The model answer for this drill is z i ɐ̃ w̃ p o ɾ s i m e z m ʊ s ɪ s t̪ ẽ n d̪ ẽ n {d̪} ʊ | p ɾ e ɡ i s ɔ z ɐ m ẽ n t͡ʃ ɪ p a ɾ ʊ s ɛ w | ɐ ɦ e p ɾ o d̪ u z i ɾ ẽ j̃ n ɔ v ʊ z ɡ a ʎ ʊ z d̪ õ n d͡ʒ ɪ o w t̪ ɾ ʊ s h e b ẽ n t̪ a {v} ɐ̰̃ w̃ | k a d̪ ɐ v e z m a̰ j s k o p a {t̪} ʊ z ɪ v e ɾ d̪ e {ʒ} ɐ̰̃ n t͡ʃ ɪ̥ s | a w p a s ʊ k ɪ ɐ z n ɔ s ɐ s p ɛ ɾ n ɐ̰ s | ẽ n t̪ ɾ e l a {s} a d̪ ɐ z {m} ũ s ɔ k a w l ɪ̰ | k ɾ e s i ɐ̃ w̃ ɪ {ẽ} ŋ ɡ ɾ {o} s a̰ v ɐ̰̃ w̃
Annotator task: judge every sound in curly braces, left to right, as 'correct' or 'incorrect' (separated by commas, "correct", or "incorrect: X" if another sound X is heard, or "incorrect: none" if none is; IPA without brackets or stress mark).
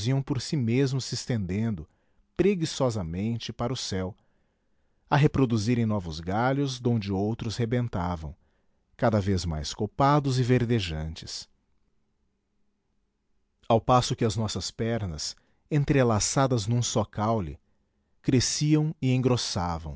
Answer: correct, correct, incorrect: d̪, correct, correct, incorrect: n, correct, correct